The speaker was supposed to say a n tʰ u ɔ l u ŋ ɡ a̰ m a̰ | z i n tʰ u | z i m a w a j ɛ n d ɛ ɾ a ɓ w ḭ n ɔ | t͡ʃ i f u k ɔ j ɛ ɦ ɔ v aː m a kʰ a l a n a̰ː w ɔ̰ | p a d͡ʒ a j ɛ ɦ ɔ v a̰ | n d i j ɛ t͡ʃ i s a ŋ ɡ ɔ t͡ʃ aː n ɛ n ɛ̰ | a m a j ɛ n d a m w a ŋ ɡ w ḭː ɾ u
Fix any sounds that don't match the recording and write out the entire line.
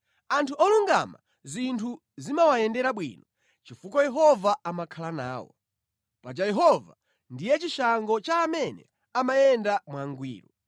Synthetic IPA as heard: a n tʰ u ɔ l u ŋ ɡ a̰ m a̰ | z i n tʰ u | z i m a w a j ɛ n d ɛ ɾ a ɓ w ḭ n ɔ | t͡ʃ i f u k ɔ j ɛ ɦ ɔ v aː m a kʰ a l a n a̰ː w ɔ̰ | p a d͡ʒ a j ɛ ɦ ɔ v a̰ | n d i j ɛ t͡ʃ i ʃ a ŋ ɡ ɔ t͡ʃ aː m ɛ n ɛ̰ | a m a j ɛ n d a m w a ŋ ɡ w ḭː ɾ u